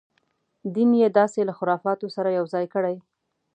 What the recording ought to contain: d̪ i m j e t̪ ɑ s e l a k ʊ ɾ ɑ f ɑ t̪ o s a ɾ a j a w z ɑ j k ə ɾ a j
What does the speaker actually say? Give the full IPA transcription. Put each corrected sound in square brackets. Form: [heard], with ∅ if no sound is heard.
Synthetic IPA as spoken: d̪ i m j e [d̪] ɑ s e l a [x] ʊ ɾ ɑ f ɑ t̪ o s a ɾ a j a w z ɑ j k ə [ɽ] a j